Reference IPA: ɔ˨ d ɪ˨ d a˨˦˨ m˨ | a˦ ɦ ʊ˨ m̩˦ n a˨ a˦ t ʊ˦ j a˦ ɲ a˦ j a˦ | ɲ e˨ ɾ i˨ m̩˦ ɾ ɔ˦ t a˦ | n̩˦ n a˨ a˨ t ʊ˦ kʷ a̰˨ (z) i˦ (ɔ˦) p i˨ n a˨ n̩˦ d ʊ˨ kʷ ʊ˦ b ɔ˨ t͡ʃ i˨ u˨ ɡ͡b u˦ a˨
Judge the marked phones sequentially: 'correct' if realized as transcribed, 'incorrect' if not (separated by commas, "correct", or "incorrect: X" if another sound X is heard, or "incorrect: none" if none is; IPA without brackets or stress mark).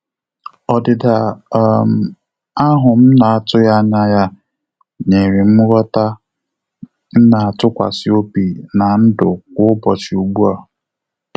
incorrect: s, incorrect: o˦